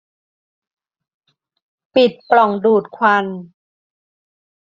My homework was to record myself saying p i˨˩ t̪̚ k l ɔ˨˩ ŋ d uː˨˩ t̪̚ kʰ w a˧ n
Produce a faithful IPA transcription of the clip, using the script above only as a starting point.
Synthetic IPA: p i˨˩ t̪̚ p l ɔ˨˩ ŋ d uː˨˩ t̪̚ kʰ w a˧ n